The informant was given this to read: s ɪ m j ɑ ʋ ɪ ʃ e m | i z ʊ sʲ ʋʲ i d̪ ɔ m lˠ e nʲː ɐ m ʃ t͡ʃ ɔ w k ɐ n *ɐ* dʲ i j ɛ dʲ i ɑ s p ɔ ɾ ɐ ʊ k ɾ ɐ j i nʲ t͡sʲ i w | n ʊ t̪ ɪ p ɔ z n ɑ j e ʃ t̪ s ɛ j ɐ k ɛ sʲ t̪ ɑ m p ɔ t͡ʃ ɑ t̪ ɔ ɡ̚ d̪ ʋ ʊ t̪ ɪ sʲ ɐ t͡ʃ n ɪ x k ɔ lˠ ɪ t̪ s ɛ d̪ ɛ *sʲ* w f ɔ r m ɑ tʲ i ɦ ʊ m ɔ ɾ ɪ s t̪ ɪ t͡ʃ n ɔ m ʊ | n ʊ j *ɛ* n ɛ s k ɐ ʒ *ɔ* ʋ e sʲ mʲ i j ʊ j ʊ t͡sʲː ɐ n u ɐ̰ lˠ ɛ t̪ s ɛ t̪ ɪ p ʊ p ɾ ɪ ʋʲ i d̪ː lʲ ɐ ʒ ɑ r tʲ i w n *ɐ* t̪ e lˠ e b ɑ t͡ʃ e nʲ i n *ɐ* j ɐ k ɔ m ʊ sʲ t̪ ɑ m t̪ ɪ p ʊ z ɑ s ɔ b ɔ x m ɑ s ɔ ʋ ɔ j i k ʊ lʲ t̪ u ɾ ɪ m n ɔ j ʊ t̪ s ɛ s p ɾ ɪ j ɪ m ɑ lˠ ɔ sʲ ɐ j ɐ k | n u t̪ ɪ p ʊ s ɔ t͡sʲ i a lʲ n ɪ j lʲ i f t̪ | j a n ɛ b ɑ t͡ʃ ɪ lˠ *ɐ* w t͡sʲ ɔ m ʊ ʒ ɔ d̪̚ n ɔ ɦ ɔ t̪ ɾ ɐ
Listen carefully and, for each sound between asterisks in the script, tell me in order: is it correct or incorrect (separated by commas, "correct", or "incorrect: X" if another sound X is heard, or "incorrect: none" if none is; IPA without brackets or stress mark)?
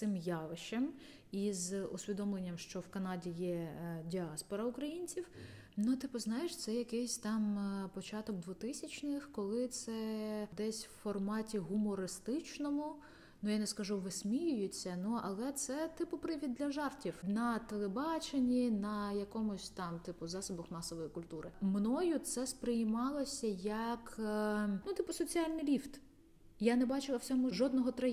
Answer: incorrect: ɑ, correct, incorrect: a, incorrect: u, correct, correct, correct